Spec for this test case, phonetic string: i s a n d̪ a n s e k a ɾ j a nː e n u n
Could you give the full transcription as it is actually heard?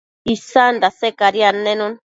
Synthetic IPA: i s a n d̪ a s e k a ɾ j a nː e n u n